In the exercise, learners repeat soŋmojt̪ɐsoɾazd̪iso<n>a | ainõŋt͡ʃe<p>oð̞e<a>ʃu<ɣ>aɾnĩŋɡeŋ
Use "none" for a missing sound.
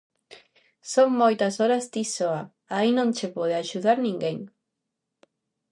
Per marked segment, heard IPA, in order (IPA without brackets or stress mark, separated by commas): none, p, a, ð